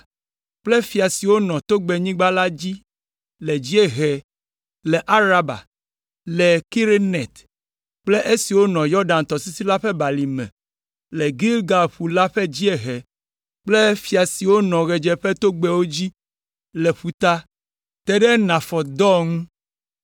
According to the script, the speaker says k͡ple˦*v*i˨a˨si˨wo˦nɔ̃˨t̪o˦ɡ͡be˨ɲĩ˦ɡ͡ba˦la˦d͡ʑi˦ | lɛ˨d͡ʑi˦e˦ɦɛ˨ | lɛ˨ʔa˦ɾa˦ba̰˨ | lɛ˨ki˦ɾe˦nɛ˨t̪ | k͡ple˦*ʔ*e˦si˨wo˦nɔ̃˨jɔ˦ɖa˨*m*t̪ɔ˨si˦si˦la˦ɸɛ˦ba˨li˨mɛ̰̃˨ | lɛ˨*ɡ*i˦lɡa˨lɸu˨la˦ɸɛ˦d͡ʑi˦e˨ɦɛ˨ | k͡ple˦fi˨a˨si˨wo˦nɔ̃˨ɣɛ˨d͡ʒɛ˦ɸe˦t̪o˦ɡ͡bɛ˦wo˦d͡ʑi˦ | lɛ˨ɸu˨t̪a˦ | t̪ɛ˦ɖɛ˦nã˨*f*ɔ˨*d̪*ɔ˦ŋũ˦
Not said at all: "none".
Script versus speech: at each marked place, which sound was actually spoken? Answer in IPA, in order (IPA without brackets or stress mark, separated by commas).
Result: f, ʔ, n, ɡ, f, d̪